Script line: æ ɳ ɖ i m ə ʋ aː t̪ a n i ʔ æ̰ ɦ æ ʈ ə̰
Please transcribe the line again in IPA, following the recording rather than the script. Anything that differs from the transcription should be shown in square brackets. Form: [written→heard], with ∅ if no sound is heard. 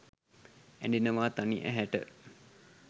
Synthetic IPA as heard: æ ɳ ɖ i [m→n] ə ʋ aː t̪ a n i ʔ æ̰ ɦ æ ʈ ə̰